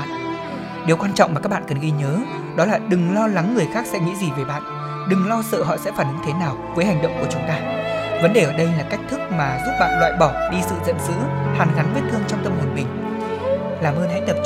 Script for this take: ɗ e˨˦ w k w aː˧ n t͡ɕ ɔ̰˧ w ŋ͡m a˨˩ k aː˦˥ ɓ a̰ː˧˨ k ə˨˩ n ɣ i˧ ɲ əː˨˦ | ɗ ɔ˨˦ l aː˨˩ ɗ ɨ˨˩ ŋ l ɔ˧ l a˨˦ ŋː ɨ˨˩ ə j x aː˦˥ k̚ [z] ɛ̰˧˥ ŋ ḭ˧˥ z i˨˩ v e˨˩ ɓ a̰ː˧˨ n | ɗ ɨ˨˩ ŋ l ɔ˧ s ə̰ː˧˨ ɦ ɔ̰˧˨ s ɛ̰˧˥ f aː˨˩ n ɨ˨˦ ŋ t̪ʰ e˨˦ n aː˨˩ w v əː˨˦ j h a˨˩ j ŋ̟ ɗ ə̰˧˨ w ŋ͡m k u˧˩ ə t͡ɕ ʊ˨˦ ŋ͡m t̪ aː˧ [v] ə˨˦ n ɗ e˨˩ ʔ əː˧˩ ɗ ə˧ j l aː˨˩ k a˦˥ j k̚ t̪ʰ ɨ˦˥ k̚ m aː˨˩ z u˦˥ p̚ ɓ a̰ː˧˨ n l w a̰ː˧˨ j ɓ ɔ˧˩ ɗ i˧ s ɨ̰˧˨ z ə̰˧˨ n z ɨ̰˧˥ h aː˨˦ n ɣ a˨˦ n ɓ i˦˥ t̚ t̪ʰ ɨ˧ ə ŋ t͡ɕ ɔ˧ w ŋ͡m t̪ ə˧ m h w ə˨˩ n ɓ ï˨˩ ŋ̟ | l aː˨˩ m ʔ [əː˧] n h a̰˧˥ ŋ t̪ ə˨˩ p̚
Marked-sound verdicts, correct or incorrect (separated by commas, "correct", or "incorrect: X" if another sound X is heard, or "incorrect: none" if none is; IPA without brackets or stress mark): incorrect: s, correct, correct